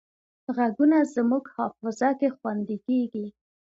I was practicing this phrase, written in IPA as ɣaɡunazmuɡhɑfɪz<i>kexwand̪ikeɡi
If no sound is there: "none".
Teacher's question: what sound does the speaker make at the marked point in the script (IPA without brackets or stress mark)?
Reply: a